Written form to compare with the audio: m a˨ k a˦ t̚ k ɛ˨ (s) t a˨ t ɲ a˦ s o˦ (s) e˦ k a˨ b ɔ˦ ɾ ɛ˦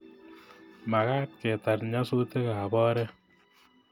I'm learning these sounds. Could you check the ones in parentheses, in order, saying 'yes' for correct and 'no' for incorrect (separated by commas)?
no, no